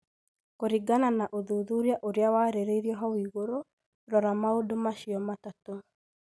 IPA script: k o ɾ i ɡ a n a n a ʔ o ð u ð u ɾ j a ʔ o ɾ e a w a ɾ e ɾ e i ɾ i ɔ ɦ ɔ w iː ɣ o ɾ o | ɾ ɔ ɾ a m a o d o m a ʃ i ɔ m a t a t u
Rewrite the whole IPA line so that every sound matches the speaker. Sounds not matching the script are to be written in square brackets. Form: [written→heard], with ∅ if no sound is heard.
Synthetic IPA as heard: k o ɾ i ɡ a n a n a ʔ o ð u ð u ɾ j a ʔ o ɾ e a w a ɾ e ɾ e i ɾ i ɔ ɦ ɔ w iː ɣ o ɾ o | ɾ ɔ ɾ a m a o d o m a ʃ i ɔ m a t a t [u→o]

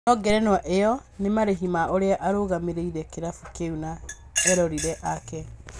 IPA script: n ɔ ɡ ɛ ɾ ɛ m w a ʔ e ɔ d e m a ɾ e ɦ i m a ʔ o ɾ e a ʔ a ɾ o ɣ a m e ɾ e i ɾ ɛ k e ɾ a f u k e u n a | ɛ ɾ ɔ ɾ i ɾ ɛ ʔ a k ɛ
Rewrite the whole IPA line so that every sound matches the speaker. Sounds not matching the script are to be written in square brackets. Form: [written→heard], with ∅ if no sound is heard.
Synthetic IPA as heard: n ɔ ɡ ɛ ɾ ɛ [m→n] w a ʔ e ɔ [d→n] e m a ɾ e ɦ i m a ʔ o ɾ e a ʔ a ɾ o ɣ a m e ɾ e i ɾ ɛ k e ɾ a f u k e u n a | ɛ ɾ ɔ ɾ i ɾ ɛ ʔ a k ɛ

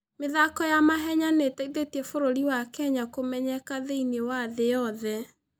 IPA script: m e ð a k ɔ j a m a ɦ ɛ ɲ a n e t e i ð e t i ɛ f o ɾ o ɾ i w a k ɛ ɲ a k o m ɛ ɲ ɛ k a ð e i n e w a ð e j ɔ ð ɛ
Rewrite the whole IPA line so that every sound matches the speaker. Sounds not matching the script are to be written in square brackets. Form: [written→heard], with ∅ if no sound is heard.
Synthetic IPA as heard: m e ð a k ɔ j a m a ɦ ɛ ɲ a n e t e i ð e t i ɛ f o ɾ o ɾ i w a k ɛ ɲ a k o m ɛ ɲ ɛ k a ð e i n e w a ð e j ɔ ð ɛ

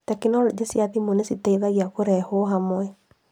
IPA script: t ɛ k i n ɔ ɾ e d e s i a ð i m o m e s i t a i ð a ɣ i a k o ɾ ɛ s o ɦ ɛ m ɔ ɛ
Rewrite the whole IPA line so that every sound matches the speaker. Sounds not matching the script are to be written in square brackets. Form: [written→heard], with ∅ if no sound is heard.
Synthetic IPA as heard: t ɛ k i n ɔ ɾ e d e s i a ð i m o [m→n] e s i t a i ð a ɣ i a k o ɾ ɛ [s→h] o ɦ [ɛ→a] m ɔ ɛ

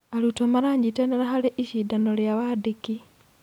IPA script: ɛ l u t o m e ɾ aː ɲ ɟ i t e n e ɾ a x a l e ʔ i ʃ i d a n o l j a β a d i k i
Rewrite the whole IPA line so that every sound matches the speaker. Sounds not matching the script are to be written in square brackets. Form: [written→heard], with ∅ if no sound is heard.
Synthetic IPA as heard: [ɛ→a] l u t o m [e→a] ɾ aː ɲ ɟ i t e n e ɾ a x a l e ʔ i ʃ i d a n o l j a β a d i k i

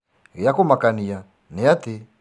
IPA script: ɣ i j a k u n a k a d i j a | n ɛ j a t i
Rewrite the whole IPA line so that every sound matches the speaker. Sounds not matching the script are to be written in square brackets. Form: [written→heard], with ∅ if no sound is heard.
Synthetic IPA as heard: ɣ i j a k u [n→m] a k a [d→n] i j a | n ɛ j a t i

